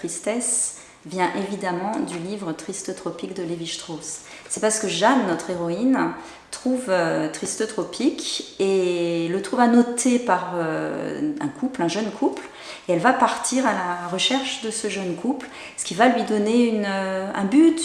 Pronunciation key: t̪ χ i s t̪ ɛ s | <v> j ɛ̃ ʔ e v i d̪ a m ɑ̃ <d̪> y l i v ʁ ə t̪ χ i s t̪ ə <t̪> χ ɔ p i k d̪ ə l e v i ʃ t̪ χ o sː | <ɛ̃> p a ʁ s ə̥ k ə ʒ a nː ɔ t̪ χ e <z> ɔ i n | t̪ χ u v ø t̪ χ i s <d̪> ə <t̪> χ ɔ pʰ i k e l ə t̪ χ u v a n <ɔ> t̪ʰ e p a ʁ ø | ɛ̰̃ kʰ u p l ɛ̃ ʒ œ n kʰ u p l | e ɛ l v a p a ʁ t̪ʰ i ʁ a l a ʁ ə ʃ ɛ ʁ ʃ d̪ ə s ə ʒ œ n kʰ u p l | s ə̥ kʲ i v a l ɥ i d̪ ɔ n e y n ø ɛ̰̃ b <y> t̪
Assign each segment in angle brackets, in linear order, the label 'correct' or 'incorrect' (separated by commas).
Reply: correct, correct, correct, incorrect, incorrect, incorrect, correct, correct, correct